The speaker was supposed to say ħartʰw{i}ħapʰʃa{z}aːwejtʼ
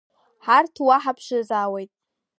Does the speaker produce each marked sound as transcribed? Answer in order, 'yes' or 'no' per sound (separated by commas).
no, yes